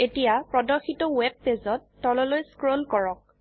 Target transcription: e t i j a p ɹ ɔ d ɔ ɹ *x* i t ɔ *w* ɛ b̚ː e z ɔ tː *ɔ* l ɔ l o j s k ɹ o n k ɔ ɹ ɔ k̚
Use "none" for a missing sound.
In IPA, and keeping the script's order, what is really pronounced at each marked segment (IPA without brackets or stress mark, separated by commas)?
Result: x, w, ɔ